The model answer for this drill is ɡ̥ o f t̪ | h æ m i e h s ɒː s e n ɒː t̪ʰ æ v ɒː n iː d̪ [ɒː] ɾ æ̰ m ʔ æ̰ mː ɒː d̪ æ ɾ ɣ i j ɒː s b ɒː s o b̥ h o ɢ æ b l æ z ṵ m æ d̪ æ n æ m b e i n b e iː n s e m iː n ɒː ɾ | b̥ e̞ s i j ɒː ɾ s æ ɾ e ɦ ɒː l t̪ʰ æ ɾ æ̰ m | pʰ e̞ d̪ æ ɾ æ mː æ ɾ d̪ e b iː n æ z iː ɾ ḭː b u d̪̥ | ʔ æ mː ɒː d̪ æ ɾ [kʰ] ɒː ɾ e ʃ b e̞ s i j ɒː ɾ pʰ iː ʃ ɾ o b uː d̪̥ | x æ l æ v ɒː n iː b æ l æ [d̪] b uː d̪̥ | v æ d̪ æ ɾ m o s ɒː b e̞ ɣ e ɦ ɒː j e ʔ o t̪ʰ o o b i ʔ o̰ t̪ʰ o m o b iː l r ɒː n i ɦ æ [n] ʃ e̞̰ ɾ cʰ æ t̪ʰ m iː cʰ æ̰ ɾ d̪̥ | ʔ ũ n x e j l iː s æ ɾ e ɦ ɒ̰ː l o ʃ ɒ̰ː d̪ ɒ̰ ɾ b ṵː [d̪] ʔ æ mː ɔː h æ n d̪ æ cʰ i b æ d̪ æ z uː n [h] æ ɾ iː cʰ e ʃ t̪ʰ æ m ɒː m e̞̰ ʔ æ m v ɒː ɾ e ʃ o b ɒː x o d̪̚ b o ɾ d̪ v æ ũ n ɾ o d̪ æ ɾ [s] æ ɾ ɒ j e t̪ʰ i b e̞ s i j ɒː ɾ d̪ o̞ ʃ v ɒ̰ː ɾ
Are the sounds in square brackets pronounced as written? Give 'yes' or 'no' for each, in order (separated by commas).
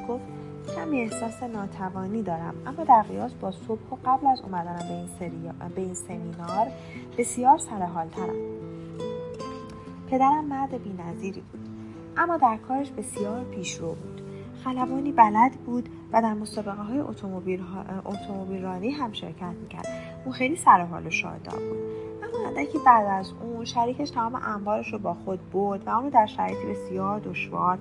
yes, yes, yes, no, yes, no, no